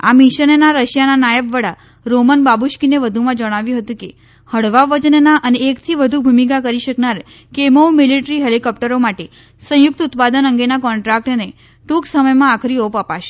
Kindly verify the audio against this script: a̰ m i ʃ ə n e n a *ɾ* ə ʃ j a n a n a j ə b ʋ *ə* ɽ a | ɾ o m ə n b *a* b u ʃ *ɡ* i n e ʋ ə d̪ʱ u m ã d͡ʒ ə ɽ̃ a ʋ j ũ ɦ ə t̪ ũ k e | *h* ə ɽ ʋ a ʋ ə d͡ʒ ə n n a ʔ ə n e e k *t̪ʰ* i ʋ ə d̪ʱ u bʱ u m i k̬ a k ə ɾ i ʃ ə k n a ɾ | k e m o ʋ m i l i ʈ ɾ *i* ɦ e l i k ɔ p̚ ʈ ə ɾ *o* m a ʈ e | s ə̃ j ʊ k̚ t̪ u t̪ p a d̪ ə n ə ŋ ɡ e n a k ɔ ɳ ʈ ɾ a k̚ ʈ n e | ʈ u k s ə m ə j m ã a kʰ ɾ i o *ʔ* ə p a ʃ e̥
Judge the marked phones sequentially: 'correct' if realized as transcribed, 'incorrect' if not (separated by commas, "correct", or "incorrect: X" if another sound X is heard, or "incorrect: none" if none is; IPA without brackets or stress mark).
correct, correct, correct, incorrect: k, correct, correct, correct, correct, incorrect: p